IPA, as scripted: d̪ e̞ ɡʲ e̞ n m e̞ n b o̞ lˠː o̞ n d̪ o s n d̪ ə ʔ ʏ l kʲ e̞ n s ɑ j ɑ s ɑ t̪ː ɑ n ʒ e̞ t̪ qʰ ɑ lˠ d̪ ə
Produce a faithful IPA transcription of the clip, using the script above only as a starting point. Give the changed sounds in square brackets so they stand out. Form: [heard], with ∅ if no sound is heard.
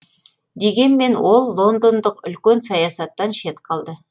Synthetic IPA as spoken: d̪ e̞ ɡʲ e̞ n m e̞ n [w] o̞ lˠː o̞ n d̪ o [∅] n d̪ ə [q] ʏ l kʲ e̞ n s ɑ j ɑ s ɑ t̪ː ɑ n [ʃ] e̞ t̪ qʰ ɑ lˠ d̪ ə